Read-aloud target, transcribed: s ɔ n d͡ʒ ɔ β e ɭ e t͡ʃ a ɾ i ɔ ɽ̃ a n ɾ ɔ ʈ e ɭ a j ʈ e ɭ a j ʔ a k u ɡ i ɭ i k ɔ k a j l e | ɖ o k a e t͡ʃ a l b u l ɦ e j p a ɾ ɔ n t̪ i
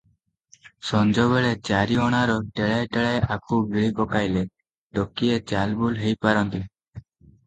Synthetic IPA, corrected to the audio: s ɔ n d͡ʒ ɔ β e ɭ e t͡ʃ a ɾ i ɔ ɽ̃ a ɾ ɔ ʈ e ɭ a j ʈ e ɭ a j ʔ a k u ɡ i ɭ i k ɔ k a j l e | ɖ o k i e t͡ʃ a l b u l ɦ e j p a ɾ ɔ n t̪ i